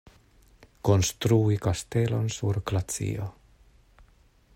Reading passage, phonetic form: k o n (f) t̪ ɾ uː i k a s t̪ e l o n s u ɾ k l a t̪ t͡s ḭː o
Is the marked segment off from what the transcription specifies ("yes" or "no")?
yes